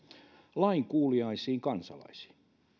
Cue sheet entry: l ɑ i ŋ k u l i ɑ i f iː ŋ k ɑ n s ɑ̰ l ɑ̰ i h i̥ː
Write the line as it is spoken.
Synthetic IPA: l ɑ i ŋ k uː l i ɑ i s iː ŋ k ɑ n s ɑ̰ l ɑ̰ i s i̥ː